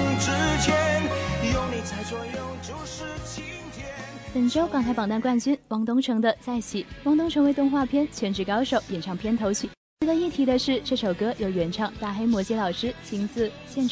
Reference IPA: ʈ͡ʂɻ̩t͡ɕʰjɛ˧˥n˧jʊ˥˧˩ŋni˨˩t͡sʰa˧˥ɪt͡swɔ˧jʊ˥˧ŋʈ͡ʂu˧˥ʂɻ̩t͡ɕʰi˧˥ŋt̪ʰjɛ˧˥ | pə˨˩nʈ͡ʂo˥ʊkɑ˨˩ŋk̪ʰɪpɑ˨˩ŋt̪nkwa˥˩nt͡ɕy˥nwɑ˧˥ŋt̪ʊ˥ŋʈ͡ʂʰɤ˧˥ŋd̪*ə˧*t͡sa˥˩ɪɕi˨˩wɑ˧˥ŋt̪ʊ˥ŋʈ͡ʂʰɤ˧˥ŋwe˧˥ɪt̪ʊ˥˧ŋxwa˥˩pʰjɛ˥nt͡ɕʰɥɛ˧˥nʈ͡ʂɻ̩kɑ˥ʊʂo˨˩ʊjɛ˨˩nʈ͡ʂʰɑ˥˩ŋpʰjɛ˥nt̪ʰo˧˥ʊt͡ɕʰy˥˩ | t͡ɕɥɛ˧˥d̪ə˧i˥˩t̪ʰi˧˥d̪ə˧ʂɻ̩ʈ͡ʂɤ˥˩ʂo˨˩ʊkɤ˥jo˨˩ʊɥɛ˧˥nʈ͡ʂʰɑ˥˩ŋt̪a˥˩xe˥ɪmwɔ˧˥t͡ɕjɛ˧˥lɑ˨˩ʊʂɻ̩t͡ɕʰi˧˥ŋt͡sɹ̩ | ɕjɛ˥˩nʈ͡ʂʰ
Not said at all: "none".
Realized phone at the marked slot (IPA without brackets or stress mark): ə˧